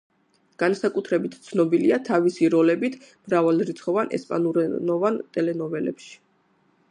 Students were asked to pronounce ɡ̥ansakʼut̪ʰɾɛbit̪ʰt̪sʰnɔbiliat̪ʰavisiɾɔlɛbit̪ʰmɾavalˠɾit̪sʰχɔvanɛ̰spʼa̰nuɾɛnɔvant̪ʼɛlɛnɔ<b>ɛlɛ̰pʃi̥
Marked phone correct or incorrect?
incorrect